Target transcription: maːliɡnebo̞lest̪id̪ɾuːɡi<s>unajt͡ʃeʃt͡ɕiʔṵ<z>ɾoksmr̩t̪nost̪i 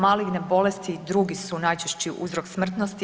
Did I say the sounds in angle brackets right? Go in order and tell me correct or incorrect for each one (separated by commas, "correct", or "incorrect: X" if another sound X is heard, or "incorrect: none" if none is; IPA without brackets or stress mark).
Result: correct, correct